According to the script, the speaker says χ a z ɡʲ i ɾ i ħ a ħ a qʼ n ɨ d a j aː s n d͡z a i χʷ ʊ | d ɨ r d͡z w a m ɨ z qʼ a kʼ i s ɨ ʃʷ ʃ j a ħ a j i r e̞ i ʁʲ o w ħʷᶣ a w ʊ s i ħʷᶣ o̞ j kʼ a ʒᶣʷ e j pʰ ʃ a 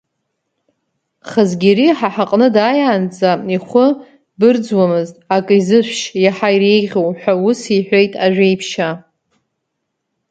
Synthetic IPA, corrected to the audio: χ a z ɡʲ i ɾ i ħ a ħ a qʼ n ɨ d a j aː n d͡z a i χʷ ʊ | b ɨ r d͡z w a m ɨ z tʼ a kʼ i z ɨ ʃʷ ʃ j a ħ a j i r e̞ j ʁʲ o w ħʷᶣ a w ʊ s i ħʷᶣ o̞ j tʼ a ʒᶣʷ e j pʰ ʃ a